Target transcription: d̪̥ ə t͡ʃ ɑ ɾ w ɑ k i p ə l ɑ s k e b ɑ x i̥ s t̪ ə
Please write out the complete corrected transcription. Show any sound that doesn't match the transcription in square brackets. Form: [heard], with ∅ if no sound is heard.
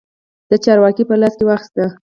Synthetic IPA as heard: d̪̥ ə t͡ʃ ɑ ɾ w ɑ k i p ə l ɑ s k e [w] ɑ x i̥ s t̪ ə